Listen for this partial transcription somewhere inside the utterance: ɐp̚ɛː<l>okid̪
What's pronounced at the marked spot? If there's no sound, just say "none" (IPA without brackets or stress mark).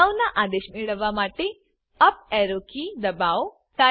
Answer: ɾ